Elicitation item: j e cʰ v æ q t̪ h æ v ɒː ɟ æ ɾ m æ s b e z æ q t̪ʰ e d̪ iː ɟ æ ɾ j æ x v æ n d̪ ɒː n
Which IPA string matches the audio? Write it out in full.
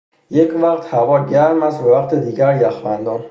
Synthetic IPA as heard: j e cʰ v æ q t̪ h æ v ɒː ɟ æ ɾ m æ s b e v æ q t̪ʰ e d̪ iː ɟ æ ɾ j æ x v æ n d̪ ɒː n